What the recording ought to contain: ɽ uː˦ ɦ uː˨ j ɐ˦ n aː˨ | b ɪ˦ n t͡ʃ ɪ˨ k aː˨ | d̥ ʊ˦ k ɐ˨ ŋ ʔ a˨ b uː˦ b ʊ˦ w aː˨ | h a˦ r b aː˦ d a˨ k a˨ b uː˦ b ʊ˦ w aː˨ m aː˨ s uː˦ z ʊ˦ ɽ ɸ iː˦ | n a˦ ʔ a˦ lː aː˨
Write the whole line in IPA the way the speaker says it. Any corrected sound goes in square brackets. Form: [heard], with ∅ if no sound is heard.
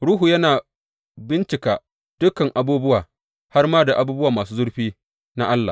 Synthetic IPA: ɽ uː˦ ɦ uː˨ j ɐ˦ n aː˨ | b ɪ˦ n t͡ʃ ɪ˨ k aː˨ | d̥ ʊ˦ k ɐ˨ ŋ ʔ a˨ b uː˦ b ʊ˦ w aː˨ | h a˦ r [m] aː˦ d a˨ [ʔ] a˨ b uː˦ b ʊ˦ w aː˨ m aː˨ s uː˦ z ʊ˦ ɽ ɸ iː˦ | n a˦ ʔ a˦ lː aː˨